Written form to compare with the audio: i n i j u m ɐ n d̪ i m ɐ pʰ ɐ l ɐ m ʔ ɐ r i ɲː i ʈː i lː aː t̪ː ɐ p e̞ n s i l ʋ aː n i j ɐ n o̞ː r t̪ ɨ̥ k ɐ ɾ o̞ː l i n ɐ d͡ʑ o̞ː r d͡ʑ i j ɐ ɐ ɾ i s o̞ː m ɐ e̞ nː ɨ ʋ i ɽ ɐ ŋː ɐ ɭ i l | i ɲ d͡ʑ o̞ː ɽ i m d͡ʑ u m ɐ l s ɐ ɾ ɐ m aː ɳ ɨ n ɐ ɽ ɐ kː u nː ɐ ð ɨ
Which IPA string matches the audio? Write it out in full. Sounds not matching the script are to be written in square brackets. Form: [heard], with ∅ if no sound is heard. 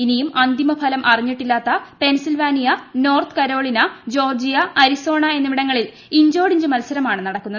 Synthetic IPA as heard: i n i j u m ɐ n d̪ i m ɐ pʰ ɐ l ɐ m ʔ ɐ r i ɲː i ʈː i lː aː t̪ː ɐ p e̞ n s i l ʋ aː n i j ɐ n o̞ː r t̪ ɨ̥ k ɐ ɾ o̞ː [ɭ] i n ɐ d͡ʑ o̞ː r d͡ʑ i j ɐ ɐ ɾ i s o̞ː [ɳ] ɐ e̞ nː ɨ ʋ i ɽ ɐ ŋː ɐ ɭ i l | i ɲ d͡ʑ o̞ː ɽ i [ɲ] d͡ʑ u m ɐ l s ɐ ɾ ɐ m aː ɳ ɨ n ɐ ɽ ɐ kː u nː ɐ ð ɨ